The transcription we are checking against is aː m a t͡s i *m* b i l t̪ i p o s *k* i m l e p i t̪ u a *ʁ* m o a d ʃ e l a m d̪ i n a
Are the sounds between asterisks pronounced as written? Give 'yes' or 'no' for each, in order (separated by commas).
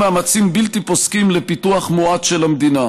yes, yes, no